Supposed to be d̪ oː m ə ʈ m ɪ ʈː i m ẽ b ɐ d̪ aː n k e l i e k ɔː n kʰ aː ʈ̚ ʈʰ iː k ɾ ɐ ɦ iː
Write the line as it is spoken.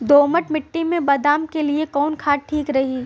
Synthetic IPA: d̪ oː m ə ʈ m ɪ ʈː i m ẽ b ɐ d̪ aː m k e l i e k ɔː n kʰ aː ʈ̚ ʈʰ iː k ɾ ɐ ɦ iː